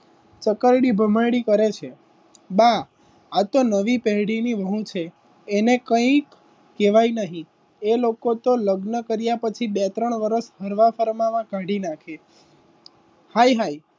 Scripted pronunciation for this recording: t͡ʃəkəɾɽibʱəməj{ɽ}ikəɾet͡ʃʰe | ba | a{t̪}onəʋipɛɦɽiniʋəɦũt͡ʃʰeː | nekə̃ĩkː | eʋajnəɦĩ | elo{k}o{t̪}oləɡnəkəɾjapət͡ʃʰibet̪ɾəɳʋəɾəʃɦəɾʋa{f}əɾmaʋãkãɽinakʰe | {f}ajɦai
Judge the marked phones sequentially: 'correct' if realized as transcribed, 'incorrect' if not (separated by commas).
correct, correct, correct, correct, correct, incorrect